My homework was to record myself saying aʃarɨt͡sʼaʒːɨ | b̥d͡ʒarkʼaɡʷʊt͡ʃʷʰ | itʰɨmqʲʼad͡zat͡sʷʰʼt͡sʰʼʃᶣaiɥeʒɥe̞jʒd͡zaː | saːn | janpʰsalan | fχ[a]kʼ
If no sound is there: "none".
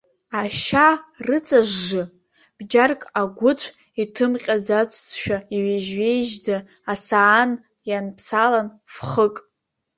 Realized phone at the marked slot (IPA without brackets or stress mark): ə